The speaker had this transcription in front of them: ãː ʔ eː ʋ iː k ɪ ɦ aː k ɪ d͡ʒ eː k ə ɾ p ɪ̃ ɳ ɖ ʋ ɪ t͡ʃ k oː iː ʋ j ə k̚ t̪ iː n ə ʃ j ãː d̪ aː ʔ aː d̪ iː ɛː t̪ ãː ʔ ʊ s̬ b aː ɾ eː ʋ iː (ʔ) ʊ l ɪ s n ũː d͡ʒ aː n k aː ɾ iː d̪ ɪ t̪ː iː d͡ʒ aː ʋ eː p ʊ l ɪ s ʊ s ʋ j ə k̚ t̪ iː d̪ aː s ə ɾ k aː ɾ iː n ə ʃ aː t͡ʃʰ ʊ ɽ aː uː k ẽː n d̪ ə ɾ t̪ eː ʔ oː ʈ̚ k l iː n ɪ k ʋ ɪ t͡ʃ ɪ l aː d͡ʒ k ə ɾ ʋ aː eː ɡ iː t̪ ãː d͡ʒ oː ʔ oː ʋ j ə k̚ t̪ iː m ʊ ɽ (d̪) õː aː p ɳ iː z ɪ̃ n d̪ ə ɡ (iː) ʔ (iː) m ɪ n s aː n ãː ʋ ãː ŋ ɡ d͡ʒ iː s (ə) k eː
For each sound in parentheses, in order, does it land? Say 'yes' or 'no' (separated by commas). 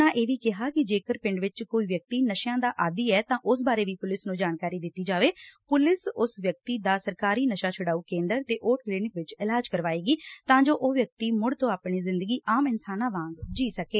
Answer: no, no, yes, no, yes